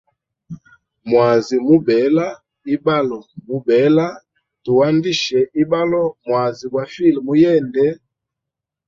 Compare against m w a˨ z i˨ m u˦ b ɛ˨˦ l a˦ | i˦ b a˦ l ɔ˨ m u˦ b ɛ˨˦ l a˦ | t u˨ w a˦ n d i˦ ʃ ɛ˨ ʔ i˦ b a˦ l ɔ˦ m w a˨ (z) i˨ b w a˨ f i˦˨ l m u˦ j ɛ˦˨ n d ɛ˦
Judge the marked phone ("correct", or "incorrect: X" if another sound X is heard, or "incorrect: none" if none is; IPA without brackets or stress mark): correct